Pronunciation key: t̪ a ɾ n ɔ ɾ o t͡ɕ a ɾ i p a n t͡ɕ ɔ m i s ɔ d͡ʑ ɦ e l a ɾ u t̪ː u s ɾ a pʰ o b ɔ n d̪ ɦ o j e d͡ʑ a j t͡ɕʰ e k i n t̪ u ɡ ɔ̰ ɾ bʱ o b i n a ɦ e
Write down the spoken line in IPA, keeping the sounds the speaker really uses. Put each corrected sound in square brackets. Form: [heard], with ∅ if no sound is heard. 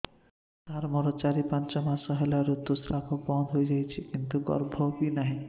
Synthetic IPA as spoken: t̪ a ɾ [m] ɔ ɾ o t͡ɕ a ɾ i p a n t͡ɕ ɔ m [a] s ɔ [∅] ɦ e l a ɾ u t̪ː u s ɾ a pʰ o b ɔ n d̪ ɦ o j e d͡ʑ a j t͡ɕʰ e k i n t̪ u ɡ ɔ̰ ɾ bʱ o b i n a ɦ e